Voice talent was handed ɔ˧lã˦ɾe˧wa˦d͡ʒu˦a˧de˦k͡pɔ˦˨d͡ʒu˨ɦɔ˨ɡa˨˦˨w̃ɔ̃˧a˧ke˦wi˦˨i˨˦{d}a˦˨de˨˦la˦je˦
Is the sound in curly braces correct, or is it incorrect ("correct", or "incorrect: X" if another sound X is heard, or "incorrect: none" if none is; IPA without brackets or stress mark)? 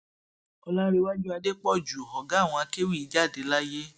incorrect: d͡ʒ